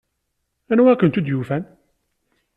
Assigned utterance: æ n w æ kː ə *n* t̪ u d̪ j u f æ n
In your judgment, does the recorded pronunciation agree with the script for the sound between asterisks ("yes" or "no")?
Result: yes